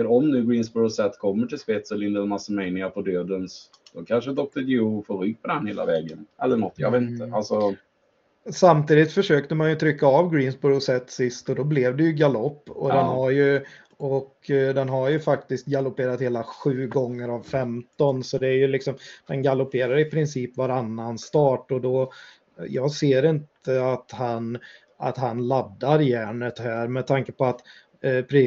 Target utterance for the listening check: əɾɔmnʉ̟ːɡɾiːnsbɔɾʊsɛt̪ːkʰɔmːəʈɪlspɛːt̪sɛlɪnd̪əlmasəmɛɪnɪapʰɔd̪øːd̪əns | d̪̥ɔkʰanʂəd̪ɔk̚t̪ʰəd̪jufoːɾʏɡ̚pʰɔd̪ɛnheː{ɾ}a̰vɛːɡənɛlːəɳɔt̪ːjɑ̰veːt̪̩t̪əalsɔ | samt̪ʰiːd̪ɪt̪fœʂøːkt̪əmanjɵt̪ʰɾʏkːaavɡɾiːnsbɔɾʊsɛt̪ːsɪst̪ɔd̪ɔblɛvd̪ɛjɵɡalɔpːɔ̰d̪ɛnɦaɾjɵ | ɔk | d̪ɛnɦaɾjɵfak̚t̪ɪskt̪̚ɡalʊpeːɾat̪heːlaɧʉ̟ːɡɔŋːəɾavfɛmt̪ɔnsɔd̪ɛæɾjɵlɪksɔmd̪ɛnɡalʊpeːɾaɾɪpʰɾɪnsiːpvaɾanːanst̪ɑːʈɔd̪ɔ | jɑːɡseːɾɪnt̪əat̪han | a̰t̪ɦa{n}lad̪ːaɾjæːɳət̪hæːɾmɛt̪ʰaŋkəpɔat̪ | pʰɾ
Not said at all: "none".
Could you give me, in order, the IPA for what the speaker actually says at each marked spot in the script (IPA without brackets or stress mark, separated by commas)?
l, n